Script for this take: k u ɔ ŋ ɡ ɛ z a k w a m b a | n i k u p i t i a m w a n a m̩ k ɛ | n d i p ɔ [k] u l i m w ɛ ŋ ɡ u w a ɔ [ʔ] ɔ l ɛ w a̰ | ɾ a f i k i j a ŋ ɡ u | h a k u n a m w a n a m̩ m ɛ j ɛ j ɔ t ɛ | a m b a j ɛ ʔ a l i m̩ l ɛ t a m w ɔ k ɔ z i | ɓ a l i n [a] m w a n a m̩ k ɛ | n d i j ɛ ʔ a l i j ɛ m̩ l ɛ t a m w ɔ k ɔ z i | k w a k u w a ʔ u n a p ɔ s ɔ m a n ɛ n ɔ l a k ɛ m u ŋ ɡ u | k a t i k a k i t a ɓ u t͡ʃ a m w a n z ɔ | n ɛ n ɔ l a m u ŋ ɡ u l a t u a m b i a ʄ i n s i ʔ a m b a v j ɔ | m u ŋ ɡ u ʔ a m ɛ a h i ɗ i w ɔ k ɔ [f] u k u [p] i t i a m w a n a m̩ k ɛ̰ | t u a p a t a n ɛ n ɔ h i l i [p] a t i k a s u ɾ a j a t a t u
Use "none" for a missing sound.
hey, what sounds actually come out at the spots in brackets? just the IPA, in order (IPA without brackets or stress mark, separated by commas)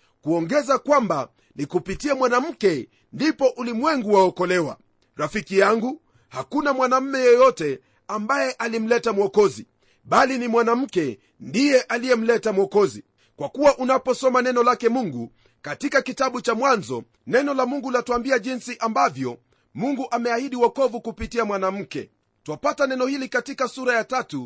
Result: ʔ, k, i, v, p, k